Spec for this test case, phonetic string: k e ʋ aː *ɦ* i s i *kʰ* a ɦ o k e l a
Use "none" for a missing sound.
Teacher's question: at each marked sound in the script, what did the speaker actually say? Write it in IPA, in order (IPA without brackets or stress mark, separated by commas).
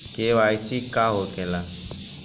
none, k